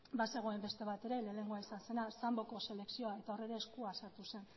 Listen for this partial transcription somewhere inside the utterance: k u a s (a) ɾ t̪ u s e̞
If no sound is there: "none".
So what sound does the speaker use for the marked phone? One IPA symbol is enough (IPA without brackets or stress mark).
a